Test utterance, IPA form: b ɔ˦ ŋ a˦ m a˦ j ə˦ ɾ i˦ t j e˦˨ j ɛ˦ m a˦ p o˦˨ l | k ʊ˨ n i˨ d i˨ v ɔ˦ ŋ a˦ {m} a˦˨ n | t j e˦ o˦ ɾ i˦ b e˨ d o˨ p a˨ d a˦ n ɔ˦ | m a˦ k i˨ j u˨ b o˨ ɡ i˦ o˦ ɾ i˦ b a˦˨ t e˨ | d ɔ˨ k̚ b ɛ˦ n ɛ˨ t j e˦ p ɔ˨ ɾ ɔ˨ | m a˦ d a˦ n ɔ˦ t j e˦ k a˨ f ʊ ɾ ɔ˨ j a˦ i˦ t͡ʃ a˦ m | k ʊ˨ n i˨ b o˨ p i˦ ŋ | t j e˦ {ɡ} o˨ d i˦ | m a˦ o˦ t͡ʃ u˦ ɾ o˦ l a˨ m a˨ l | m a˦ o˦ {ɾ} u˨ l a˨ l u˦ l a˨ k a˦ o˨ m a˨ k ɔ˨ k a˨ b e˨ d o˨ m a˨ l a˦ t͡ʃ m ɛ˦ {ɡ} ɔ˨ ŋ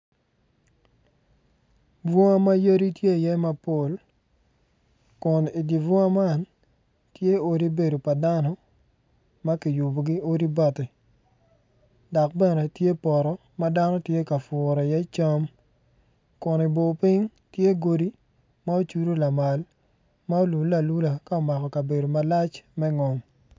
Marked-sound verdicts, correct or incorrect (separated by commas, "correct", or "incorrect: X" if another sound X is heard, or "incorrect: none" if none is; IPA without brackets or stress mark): correct, correct, incorrect: l, incorrect: ŋ